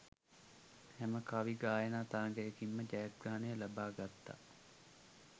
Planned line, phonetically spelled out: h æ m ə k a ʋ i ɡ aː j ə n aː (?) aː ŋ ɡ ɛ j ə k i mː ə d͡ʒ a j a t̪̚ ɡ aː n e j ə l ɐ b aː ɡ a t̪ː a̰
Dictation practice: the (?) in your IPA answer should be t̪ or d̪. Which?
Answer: t̪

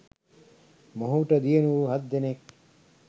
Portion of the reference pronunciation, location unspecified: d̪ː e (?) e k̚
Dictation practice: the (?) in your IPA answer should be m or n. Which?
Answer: n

